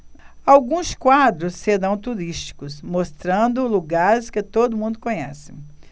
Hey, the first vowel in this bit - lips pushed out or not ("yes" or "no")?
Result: no